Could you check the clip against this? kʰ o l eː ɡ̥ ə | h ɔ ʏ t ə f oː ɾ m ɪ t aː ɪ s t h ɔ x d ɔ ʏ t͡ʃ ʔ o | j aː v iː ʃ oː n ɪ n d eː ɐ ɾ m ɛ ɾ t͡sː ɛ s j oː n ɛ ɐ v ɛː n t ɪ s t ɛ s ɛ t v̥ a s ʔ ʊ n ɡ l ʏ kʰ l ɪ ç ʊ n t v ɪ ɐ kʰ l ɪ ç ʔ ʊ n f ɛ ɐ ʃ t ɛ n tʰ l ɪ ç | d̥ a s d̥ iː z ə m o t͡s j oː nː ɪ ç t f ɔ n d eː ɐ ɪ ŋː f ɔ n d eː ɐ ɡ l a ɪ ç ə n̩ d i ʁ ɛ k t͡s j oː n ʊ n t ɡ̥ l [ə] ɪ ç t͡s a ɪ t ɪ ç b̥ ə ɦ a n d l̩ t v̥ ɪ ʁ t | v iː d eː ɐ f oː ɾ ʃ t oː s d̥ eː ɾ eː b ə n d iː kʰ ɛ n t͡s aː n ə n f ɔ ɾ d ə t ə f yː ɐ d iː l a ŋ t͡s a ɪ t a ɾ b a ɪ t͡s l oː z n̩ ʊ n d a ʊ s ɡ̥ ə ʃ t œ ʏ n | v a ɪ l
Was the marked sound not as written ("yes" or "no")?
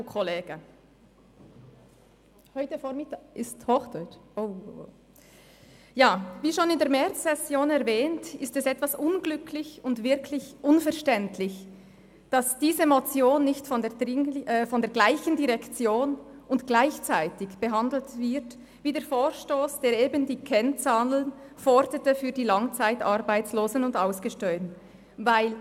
yes